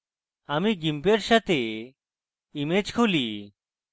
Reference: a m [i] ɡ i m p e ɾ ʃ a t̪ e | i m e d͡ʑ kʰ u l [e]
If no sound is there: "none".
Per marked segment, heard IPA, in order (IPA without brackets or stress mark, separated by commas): i, i